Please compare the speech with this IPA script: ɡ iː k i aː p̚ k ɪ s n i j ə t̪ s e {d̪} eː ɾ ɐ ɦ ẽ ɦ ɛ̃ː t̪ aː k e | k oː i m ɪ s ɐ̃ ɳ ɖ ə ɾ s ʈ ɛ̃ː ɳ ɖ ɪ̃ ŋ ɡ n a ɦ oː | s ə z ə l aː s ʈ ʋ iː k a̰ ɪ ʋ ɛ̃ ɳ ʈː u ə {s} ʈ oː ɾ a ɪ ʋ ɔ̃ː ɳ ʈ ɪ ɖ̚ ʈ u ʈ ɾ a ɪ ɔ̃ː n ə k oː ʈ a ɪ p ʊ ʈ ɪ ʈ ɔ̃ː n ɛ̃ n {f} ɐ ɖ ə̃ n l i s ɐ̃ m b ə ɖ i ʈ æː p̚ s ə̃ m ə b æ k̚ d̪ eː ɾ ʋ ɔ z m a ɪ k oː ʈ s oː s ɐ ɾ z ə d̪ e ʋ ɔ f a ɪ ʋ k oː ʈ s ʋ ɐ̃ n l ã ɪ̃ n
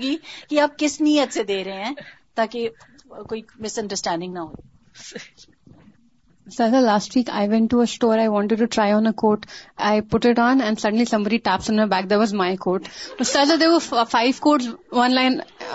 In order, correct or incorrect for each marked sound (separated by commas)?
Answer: correct, correct, incorrect